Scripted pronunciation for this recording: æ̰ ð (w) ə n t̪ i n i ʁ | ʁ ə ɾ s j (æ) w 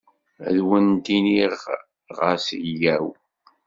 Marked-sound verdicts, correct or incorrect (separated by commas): correct, correct